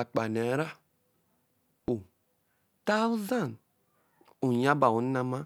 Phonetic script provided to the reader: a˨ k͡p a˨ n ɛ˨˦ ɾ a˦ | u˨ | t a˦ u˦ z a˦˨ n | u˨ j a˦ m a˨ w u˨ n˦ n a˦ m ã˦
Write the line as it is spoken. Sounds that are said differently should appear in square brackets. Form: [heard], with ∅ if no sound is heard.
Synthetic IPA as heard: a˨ k͡p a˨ n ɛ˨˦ ɾ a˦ | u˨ | t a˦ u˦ z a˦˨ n | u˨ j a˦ [b] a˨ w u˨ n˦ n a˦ m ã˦